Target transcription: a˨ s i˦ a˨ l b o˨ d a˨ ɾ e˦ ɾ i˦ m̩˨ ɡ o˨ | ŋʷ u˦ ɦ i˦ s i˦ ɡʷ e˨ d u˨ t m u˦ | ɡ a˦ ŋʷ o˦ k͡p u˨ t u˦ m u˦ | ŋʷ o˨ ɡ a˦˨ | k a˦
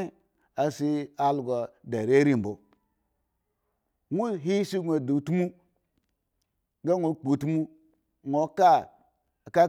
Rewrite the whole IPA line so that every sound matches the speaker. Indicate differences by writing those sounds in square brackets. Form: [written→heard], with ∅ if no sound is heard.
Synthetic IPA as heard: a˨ s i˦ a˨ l [b→ɡ] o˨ d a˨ ɾ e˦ ɾ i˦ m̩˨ [ɡ→b] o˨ | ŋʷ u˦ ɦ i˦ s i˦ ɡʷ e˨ d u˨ t m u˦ | ɡ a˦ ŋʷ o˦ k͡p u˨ t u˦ m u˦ | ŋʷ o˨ [ɡ→k] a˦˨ | k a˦